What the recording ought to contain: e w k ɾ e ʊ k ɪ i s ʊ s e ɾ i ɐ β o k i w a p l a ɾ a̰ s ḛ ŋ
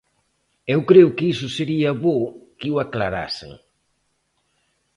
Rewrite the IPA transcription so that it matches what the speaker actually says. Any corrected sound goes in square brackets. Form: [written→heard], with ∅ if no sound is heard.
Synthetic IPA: e w k ɾ e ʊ k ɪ i s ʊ s e ɾ i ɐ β o k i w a [p→k] l a ɾ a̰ s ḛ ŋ